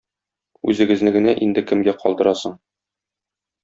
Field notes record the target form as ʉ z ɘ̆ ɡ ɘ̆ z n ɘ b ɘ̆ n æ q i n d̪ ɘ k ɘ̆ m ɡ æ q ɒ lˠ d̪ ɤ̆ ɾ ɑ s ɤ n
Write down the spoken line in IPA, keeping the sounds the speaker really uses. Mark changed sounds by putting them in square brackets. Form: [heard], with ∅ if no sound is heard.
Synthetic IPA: ʉ z ɘ̆ ɡ ɘ̆ z n ɘ [ɡ] ɘ̆ n æ [ʔ] i n d̪ ɘ k ɘ̆ m ɡ æ q ɒ lˠ d̪ ɤ̆ ɾ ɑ s ɤ [ɴ]